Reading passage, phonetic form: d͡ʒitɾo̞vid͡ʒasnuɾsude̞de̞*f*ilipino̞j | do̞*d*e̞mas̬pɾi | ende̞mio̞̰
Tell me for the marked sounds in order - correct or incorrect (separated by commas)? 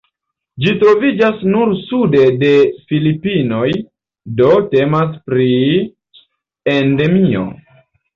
correct, incorrect